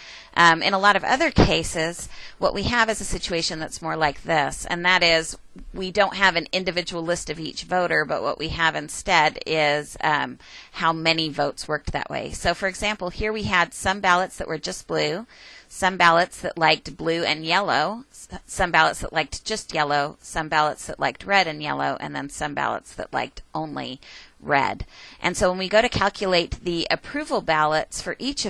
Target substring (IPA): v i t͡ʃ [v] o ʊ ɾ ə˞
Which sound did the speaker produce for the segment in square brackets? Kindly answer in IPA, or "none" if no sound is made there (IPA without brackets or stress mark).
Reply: v